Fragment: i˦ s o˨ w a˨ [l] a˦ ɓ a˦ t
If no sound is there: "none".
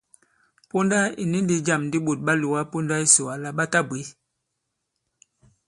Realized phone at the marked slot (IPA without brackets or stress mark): l